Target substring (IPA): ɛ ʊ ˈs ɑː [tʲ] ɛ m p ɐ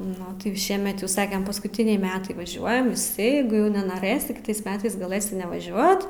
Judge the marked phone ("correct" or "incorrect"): incorrect